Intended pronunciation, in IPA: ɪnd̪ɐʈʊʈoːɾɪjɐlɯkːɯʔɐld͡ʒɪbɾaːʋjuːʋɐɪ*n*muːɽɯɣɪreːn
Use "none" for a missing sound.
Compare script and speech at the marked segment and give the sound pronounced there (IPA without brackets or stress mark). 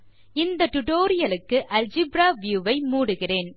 none